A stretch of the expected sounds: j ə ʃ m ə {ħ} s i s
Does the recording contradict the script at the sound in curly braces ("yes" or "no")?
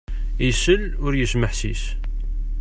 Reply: no